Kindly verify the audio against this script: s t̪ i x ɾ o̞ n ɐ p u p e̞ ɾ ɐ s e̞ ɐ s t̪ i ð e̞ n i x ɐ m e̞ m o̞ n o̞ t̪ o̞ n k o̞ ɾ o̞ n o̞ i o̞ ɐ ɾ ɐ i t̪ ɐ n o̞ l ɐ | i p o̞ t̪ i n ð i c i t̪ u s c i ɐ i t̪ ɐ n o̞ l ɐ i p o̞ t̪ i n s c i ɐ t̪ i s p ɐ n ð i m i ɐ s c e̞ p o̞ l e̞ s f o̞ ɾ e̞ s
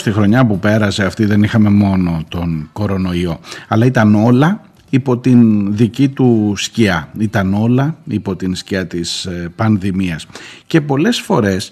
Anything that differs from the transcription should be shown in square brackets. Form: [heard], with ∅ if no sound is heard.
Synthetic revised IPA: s t̪ i x ɾ o̞ [ɲ] ɐ p u p e̞ ɾ ɐ s e̞ ɐ [f] t̪ i ð e̞ n i x ɐ m e̞ m o̞ n o̞ t̪ o̞ n k o̞ ɾ o̞ n o̞ i o̞ ɐ [l] ɐ i t̪ ɐ n o̞ l ɐ | i p o̞ t̪ i n ð i c i t̪ u s c i ɐ i t̪ ɐ n o̞ l ɐ i p o̞ t̪ i n s c i ɐ t̪ i s p ɐ n ð i m i ɐ s c e̞ p o̞ l e̞ s f o̞ ɾ e̞ s